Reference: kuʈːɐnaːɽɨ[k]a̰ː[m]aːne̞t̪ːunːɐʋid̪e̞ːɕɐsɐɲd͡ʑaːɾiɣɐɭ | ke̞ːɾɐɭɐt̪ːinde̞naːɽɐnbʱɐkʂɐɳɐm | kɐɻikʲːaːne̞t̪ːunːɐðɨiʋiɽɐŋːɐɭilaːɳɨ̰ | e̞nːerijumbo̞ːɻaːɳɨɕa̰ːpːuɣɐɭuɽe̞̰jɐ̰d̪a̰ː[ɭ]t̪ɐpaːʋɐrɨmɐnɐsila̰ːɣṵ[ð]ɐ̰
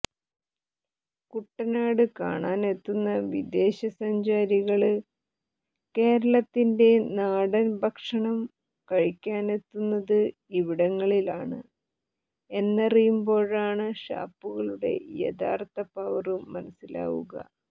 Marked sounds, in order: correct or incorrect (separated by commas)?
correct, incorrect, incorrect, incorrect